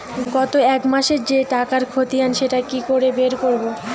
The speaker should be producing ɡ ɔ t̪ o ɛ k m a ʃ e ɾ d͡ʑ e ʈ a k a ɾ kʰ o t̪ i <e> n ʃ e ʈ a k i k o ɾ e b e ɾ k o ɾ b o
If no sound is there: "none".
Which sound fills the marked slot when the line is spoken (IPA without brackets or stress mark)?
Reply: a